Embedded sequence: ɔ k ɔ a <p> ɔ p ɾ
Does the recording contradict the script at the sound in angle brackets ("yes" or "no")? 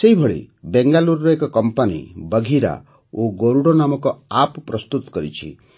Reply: no